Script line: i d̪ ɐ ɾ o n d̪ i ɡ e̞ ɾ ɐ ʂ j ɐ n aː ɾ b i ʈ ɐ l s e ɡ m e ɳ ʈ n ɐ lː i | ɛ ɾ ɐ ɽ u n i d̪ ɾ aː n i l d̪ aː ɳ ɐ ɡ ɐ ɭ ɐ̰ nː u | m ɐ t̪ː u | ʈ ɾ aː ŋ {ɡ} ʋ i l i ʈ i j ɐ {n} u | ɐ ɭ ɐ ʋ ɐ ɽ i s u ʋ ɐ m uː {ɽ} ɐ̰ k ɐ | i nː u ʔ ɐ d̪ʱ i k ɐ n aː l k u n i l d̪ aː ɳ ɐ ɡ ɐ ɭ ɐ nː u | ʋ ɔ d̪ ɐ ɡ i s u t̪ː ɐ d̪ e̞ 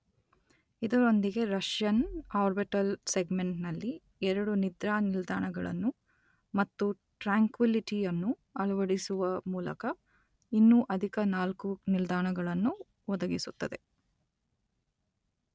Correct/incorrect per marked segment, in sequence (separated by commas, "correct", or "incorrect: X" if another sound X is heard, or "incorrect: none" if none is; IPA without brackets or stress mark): incorrect: k, incorrect: nː, incorrect: l